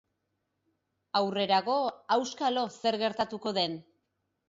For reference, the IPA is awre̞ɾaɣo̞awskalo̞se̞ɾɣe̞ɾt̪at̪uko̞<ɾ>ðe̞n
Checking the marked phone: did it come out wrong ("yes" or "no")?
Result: yes